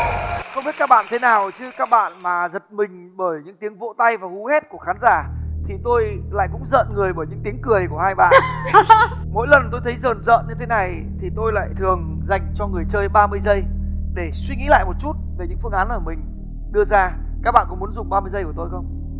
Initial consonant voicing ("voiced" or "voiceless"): voiceless